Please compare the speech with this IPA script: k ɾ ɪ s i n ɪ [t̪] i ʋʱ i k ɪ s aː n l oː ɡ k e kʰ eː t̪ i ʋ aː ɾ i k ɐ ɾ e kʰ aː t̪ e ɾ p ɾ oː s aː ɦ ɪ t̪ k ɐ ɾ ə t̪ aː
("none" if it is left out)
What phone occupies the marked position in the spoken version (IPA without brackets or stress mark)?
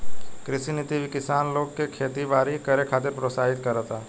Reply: t̪